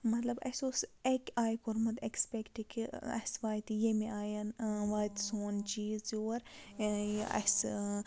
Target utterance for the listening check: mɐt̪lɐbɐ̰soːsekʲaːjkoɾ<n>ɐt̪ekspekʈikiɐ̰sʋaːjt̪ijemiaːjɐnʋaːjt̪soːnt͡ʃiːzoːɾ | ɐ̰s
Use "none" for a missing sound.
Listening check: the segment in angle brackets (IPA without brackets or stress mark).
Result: m